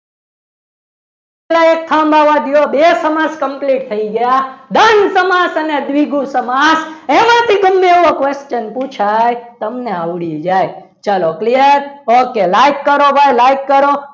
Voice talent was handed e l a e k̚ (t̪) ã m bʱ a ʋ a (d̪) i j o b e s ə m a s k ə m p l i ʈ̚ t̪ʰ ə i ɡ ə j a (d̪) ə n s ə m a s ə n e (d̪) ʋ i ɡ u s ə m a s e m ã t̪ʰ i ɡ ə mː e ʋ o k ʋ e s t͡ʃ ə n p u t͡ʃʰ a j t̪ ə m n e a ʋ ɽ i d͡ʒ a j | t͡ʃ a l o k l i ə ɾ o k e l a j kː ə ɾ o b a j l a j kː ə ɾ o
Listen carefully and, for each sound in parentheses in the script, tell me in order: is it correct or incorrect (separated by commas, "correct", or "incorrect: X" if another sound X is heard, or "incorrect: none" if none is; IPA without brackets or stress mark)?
incorrect: t̪ʰ, correct, correct, correct